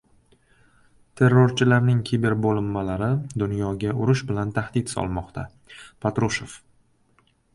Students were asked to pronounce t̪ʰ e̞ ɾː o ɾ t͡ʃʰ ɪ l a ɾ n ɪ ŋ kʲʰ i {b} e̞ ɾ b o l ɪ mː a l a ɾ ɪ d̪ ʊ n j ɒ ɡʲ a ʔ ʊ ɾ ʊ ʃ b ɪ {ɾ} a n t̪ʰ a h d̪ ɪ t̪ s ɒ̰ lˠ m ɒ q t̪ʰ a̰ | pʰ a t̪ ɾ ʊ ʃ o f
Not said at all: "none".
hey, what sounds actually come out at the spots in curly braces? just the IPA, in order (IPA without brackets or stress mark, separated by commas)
b, l